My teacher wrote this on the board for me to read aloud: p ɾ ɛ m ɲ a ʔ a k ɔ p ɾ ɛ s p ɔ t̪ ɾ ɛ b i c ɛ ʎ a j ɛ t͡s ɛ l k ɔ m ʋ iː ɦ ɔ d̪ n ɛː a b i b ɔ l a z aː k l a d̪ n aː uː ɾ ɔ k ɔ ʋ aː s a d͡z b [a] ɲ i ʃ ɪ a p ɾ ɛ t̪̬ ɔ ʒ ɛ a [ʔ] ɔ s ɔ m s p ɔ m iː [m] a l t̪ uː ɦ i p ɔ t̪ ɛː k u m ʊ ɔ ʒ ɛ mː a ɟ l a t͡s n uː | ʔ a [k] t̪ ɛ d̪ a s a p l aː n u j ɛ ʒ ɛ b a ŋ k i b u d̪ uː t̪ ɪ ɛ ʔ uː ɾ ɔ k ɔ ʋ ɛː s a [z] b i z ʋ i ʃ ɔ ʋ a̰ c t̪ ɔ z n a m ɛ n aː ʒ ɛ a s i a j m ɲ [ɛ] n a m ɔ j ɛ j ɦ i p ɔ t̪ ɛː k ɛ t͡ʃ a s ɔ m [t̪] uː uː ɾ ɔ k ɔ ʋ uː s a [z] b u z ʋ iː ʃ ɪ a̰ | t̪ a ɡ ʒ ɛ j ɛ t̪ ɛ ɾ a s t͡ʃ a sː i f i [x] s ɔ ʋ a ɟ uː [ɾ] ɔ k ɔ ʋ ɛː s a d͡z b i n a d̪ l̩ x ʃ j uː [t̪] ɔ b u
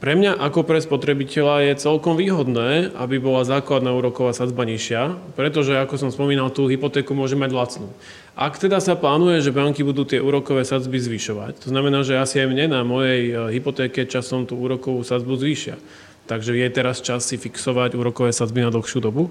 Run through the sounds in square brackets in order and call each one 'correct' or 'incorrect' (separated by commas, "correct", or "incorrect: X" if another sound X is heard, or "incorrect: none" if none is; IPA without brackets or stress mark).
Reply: correct, incorrect: k, incorrect: n, correct, incorrect: d͡z, correct, correct, incorrect: d͡z, incorrect: k, correct, incorrect: d̪